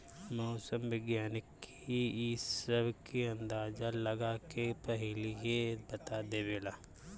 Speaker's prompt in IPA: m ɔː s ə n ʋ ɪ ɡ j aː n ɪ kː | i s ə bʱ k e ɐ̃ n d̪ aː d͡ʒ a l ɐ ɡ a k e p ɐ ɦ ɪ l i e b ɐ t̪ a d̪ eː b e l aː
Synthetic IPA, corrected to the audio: m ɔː s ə m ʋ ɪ ɡ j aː n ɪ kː | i s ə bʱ k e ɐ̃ n d̪ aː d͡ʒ a l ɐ ɡ a k e p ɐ ɦ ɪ l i e b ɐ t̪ a d̪ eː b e l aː

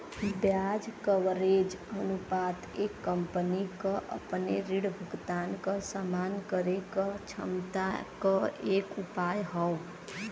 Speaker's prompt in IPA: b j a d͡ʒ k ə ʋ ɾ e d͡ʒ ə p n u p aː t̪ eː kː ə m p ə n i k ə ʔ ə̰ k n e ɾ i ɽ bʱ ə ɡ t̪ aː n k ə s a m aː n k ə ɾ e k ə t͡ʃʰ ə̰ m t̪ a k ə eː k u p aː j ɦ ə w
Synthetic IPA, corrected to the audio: b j a d͡ʒ k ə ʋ ɾ e d͡ʒ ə n u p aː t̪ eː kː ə m p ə n i k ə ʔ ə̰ p n e ɾ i ɽ bʱ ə ɡ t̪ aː n k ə s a m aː n k ə ɾ e k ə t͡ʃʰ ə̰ m t̪ a k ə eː k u p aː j ɦ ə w

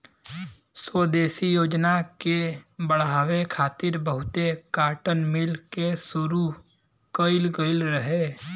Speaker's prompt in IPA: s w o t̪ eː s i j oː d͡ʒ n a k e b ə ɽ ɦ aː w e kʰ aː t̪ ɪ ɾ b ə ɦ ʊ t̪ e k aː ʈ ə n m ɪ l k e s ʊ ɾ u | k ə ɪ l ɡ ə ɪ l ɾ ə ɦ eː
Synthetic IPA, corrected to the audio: s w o d̪ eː s i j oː d͡ʒ n a k e b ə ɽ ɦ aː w e kʰ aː t̪ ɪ ɾ b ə ɦ ʊ t̪ e k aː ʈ ə n m ɪ l k e s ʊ ɾ u | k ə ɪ l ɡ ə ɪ l ɾ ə ɦ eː

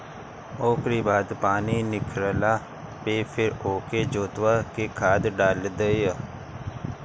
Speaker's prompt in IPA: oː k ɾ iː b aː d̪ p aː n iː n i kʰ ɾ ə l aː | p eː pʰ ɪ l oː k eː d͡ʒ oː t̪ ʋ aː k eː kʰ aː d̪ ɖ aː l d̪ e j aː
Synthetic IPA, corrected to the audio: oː k ɾ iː b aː d̪ p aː n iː n ɪ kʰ ɾ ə l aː | p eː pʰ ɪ ɾ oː k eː d͡ʒ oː t̪ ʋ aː k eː kʰ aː d̪ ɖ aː l d̪ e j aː

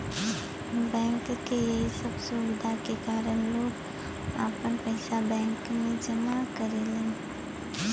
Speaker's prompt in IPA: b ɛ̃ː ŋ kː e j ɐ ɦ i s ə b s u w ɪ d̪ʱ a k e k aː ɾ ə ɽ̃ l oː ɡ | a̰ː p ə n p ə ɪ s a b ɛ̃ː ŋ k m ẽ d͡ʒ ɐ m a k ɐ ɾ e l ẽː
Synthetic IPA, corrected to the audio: b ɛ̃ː ŋ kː e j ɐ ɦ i s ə b s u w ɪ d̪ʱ a k e k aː ɾ ə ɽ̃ l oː ɡ | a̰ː p ə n p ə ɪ s a b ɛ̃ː ŋ k m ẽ d͡ʒ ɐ m a k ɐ ɾ e l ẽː

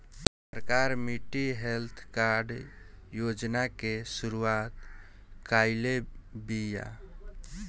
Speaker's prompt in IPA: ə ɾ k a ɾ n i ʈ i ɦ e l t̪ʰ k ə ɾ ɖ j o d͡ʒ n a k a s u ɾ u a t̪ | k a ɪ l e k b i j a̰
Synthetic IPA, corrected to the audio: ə ɾ k a ɾ m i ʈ i ɦ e l t̪ʰ k a ɾ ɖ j o d͡ʒ n a k e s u ɾ u a t̪ | k a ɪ l e b i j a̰

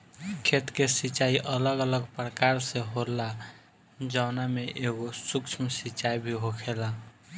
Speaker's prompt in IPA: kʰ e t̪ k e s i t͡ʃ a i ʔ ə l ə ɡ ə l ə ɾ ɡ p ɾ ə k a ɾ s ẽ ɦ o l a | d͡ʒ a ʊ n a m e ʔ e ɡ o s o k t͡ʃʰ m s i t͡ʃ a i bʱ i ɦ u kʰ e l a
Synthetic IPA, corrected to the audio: kʰ e t̪ k e s i t͡ʃ a i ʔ ə l ə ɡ ə l ə ɡ p ɾ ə k a ɾ s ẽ ɦ o l a | d͡ʒ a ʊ n a m e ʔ e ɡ o s u k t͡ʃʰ m s i t͡ʃ a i bʱ i ɦ o kʰ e l a

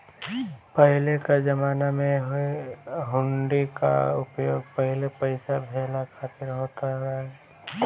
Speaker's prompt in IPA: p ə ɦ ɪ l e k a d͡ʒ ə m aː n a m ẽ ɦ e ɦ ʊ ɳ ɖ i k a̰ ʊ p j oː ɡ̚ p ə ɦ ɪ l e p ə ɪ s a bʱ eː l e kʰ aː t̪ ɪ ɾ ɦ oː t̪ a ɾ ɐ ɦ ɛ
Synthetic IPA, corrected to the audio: p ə ɦ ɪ l e k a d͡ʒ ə m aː n a m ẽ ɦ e ɦ ʊ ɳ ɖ i k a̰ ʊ p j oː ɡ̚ p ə ɦ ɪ l e p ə ɪ s a bʱ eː l a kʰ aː t̪ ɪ ɾ ɦ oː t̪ a ɾ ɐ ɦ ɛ

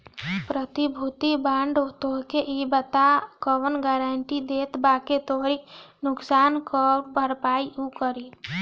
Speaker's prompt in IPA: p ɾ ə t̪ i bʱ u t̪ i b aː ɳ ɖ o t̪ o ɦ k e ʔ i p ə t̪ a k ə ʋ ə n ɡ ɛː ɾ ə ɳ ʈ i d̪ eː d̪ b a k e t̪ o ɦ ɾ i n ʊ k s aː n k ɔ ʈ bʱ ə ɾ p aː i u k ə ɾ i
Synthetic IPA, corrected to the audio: p ɾ ə t̪ i bʱ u t̪ i b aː ɳ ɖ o t̪ o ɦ k e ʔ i b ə t̪ a k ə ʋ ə n ɡ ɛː ɾ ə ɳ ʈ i d̪ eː t̪ b a k e t̪ o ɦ ɾ i n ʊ k s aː n k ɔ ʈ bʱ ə ɾ p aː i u k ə ɾ i

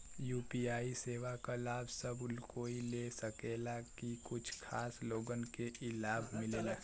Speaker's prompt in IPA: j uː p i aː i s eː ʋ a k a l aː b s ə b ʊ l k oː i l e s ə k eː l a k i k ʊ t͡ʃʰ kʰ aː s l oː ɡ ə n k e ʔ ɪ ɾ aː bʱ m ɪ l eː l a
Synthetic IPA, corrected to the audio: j uː p i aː i s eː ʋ a k a l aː b s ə b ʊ l k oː i l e s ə k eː l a k i k ʊ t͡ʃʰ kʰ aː s l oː ɡ ə n k e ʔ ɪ l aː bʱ m ɪ l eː l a

